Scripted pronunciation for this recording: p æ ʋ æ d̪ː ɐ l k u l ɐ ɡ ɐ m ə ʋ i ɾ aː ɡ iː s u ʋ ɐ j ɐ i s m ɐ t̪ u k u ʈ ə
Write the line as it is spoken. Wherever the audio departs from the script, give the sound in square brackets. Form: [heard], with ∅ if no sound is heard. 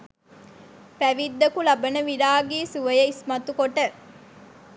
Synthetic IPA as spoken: p æ ʋ [i] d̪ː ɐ [∅] k u l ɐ [b] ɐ [n] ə ʋ i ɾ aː ɡ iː s u ʋ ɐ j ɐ i s m ɐ t̪ u k [o] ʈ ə